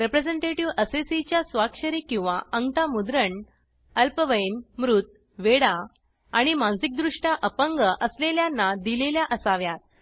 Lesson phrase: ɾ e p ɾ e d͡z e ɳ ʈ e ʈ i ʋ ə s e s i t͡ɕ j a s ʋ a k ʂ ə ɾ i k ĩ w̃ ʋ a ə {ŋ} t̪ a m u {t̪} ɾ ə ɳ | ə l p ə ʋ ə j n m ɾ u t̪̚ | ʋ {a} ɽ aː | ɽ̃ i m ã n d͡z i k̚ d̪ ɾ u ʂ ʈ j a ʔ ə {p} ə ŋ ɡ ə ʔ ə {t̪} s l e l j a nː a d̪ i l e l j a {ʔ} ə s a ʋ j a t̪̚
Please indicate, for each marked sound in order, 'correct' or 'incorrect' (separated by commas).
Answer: correct, incorrect, incorrect, correct, incorrect, correct